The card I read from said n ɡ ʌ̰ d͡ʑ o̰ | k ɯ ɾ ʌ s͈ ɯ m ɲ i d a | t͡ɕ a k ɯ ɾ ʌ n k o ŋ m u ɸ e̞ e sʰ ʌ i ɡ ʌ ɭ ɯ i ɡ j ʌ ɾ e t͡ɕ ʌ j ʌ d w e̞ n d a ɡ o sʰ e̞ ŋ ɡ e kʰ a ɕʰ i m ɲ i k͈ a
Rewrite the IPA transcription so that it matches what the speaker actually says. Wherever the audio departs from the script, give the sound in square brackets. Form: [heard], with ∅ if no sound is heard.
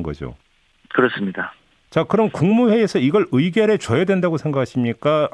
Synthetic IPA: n ɡ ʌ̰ d͡ʑ o̰ | k ɯ ɾ ʌ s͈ ɯ m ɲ i d a | t͡ɕ a k ɯ ɾ ʌ n k [u] ŋ m u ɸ e̞ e sʰ ʌ i ɡ ʌ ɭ ɯ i ɡ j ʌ ɾ e t͡ɕ ʌ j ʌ d w e̞ n d a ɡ o sʰ e̞ ŋ ɡ [a] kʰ a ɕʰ i m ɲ i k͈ a